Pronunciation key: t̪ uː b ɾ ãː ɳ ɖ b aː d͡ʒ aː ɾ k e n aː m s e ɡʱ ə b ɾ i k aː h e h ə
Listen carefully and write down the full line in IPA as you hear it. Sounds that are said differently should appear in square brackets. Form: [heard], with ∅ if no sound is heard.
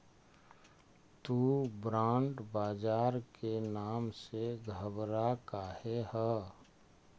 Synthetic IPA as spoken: t̪ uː b ɾ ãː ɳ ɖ b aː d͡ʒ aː ɾ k e n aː m s e ɡʱ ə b ɾ [a] k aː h e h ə